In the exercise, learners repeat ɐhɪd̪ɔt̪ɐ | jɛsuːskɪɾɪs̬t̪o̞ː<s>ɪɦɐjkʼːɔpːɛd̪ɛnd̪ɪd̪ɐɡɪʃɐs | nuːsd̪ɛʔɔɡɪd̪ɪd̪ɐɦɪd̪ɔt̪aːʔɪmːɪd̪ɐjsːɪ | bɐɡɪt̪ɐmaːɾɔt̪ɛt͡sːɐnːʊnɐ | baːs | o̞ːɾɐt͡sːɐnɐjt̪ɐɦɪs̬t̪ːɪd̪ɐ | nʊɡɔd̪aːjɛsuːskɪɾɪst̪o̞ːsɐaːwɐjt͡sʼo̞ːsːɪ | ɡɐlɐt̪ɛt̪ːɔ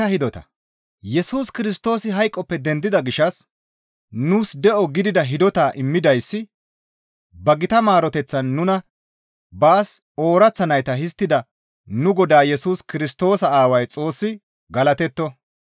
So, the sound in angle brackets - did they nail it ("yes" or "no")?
yes